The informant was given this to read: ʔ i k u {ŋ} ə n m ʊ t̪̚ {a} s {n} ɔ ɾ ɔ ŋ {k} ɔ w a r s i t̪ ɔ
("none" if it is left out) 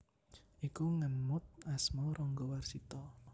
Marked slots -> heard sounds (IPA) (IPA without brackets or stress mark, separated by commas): ŋ, a, m, ɡ